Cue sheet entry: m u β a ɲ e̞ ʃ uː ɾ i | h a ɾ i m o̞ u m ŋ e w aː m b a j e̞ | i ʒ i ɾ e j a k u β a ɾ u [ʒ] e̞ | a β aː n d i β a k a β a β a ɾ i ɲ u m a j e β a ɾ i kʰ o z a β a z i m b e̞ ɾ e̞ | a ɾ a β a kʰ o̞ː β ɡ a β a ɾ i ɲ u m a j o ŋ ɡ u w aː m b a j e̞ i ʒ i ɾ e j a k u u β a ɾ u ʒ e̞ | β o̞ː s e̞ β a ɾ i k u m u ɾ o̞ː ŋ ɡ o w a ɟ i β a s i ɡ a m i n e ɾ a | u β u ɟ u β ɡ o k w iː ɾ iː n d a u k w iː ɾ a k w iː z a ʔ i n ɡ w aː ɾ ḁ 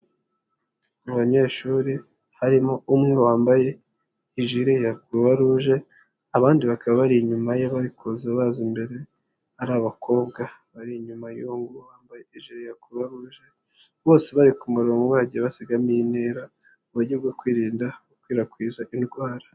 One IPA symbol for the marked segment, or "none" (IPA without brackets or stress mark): ʒ